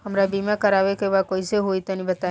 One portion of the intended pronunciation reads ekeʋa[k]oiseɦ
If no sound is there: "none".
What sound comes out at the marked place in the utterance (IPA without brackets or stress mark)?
k